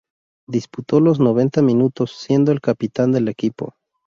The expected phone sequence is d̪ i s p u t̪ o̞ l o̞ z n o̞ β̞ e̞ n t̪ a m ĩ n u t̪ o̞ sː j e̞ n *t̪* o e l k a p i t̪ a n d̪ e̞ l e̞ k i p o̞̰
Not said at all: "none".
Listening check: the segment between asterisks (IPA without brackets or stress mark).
d̪